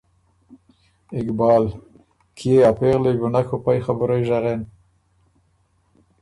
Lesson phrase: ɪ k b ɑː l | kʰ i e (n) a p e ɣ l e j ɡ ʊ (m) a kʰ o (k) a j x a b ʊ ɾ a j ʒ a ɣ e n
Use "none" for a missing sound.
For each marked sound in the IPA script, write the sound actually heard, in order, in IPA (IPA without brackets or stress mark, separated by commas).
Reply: none, n, p